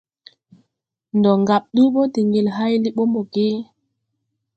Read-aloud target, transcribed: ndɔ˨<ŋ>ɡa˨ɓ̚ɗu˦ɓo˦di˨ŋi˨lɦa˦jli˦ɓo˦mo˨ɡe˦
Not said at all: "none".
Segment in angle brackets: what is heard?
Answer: ŋ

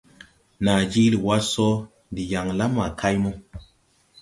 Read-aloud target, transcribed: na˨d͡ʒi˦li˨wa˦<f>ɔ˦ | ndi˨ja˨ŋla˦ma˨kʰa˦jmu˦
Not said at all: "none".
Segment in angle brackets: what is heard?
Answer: s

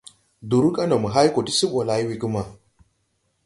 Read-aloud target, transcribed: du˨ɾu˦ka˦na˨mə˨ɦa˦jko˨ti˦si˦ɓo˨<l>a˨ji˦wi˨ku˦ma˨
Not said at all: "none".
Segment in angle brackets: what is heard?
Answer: l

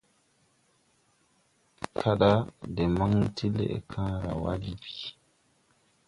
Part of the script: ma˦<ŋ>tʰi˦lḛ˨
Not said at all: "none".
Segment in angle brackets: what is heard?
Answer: ŋ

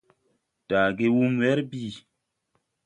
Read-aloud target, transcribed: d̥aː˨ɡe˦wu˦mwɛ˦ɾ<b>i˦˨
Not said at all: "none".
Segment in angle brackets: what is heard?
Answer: b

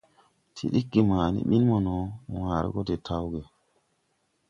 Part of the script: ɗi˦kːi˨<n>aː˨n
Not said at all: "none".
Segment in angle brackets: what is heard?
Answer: m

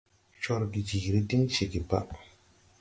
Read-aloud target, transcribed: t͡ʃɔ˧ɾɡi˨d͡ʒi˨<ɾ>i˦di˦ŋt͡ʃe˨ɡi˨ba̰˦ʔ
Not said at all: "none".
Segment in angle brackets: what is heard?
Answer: ɾ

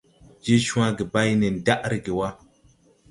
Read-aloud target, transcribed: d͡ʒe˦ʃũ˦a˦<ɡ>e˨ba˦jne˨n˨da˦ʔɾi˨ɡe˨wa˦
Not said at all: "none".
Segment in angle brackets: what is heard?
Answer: ɡ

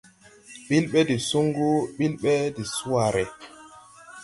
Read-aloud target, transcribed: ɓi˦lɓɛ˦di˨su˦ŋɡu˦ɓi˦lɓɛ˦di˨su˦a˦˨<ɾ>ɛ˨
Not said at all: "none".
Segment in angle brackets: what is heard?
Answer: ɾ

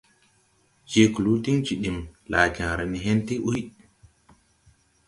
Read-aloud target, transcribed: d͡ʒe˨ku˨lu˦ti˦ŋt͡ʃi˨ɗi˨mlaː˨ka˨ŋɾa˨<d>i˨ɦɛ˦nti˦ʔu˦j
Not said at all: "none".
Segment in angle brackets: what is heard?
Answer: n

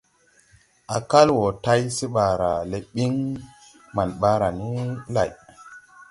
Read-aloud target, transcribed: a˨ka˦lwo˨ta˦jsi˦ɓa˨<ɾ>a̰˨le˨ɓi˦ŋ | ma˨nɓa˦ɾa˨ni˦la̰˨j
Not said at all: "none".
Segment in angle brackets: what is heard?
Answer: ɾ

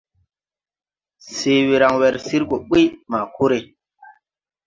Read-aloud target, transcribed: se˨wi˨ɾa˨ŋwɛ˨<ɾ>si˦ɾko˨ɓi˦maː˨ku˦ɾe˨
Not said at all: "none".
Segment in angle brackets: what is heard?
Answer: ɾ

